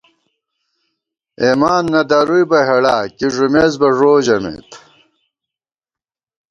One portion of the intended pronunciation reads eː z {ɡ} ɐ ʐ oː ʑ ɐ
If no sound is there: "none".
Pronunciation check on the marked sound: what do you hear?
b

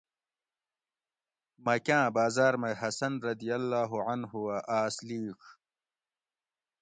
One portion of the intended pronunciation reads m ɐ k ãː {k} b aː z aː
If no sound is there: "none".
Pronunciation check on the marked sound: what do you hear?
none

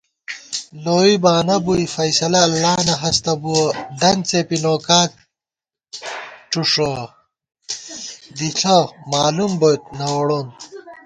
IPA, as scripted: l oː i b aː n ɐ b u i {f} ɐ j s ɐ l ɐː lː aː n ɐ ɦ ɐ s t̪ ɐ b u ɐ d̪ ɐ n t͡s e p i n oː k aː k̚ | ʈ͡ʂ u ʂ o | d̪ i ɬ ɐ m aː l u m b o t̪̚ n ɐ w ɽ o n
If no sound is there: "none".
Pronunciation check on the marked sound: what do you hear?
f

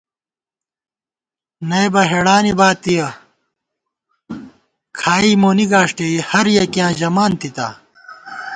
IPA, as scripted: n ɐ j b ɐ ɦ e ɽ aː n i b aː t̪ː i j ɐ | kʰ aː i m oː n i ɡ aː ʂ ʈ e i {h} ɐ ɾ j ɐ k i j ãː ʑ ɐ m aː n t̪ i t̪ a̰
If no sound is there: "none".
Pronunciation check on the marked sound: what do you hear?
h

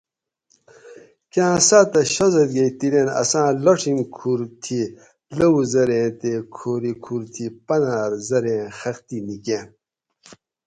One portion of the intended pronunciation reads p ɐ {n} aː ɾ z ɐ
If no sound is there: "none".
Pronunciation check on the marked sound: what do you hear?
n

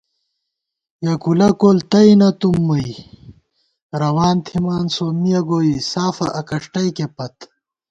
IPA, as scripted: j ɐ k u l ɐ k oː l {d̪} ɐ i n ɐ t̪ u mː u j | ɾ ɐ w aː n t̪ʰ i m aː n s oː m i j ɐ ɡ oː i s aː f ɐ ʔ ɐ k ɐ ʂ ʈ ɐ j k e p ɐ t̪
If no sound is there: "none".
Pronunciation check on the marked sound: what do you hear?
t̪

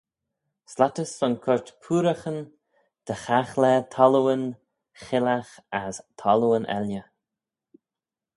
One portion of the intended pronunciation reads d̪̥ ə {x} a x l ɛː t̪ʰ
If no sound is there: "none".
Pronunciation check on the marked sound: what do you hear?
x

